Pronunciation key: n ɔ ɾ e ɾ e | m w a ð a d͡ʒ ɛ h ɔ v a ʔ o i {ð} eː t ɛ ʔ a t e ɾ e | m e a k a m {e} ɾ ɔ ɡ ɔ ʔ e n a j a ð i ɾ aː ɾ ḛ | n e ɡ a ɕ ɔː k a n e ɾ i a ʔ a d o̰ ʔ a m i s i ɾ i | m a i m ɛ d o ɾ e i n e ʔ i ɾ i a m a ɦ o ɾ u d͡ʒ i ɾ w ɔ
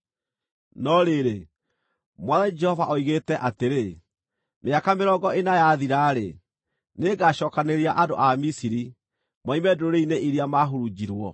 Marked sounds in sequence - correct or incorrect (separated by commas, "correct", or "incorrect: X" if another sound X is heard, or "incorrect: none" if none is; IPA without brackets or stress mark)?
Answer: incorrect: ɣ, correct